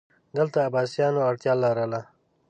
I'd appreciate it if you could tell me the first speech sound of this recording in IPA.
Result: d̪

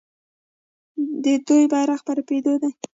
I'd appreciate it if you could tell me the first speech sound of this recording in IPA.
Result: d̪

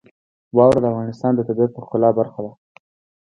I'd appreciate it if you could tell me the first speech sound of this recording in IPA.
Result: w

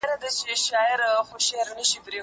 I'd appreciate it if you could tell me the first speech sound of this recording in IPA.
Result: ɾ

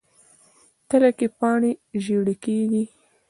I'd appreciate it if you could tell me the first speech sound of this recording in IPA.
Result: t̪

